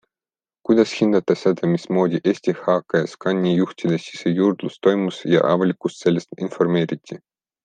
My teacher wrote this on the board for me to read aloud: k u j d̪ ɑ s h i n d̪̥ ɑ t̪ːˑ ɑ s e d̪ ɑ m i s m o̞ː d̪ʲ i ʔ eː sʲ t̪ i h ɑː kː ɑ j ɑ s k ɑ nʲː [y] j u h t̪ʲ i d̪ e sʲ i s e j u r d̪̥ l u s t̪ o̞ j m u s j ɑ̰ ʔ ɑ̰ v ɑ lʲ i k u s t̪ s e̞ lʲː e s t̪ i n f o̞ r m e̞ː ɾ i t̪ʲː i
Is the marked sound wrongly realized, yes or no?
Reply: yes